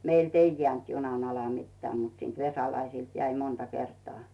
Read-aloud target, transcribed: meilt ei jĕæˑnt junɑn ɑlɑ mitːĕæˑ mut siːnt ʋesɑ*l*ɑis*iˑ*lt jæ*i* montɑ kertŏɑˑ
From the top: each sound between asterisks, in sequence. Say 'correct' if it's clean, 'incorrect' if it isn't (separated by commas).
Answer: correct, correct, correct